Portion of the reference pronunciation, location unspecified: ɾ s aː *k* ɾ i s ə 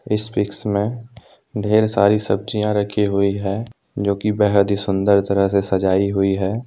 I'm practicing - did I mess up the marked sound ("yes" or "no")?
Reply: yes